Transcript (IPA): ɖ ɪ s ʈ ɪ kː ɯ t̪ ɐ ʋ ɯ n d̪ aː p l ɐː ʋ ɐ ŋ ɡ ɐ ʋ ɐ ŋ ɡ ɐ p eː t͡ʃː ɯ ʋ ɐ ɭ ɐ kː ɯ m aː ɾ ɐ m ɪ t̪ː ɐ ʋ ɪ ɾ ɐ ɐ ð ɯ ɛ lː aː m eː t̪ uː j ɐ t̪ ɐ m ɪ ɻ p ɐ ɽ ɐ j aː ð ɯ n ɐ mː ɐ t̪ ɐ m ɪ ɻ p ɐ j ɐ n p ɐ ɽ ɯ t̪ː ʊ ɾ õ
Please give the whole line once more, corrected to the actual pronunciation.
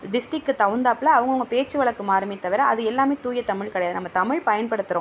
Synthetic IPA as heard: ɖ ɪ s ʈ ɪ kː ɯ t̪ ɐ ʋ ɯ n d̪ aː p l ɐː ʋ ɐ ŋ ɡ ɐ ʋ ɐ ŋ ɡ ɐ p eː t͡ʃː ɯ ʋ ɐ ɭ ɐ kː ɯ m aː ɾ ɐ m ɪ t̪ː ɐ ʋ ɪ ɾ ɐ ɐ ð ɯ ɛ lː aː m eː t̪ uː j ɐ t̪ ɐ m ɪ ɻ k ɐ ɽ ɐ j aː ð ɯ n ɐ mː ɐ t̪ ɐ m ɪ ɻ p ɐ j ɐ n p ɐ ɽ ɯ t̪ː ɯ ɾ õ